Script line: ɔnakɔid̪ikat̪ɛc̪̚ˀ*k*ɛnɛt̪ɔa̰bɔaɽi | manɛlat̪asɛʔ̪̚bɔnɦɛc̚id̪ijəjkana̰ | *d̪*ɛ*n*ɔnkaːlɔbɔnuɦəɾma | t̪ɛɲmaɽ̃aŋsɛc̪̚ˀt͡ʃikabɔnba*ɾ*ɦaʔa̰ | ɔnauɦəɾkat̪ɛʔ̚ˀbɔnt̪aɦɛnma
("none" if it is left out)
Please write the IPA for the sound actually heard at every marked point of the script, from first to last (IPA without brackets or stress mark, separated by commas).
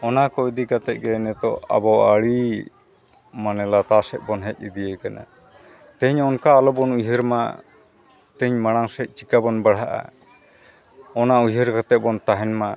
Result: ɡ, t̪, ɲ, ɽ